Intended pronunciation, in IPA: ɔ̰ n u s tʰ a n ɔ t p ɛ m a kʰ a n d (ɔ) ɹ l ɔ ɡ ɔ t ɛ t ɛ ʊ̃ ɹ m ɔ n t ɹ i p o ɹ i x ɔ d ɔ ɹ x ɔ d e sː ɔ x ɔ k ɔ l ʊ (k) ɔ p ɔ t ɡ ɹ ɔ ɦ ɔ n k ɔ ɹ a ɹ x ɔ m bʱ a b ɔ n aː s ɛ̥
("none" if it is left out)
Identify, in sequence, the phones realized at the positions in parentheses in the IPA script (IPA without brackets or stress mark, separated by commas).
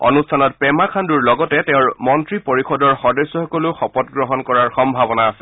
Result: u, x